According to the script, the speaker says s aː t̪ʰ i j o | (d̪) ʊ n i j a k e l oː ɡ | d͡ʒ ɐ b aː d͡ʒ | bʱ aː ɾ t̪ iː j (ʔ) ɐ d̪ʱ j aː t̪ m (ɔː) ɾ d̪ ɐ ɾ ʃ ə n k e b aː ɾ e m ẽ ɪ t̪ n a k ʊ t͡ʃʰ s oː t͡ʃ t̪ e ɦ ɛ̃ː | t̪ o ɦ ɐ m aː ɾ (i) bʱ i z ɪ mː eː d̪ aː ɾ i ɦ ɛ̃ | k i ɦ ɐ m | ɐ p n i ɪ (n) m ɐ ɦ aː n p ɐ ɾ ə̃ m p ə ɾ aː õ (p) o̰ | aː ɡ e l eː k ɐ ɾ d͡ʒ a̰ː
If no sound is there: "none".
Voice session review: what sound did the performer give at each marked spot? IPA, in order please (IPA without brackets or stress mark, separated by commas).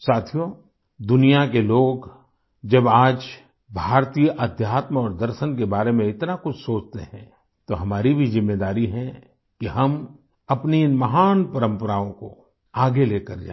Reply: d̪, ʔ, ɔː, i, n, k